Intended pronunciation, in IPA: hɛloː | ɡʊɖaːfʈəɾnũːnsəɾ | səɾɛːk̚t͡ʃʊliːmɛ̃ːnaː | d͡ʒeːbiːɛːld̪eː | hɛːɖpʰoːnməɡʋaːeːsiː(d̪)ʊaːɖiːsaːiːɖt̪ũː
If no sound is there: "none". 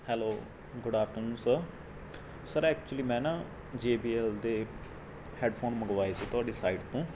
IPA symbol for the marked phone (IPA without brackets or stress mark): t̪